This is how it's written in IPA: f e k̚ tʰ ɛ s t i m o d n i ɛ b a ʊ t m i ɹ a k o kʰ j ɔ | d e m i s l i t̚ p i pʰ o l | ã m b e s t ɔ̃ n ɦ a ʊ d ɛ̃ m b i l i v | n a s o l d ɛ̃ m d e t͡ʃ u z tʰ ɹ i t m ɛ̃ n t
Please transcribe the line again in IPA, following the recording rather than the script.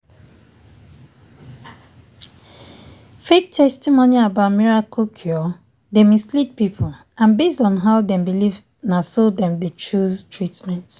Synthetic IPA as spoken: f e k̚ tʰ ɛ s t i m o n i a b a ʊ t m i ɹ a k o kʰ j ɔ | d e m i s l i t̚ p i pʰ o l | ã n b e s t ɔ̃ n ɦ a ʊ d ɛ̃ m b i l i v | n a s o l d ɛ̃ m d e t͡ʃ u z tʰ ɹ i t m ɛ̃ n t